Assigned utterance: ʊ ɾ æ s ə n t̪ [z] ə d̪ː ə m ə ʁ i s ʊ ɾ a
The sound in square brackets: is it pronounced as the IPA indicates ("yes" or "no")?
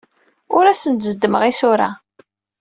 yes